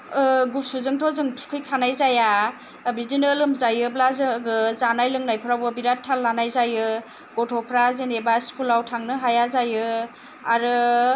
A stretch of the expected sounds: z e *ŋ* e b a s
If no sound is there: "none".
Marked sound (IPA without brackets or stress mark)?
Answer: n